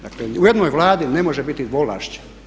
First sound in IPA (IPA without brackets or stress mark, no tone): d̪